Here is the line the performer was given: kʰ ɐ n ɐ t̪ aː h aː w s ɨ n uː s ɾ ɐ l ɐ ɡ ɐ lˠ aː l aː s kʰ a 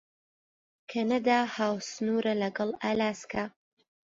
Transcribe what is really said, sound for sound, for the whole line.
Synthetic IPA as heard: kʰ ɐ n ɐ d̪ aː h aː w s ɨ n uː ɾ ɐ l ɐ ɡ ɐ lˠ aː l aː s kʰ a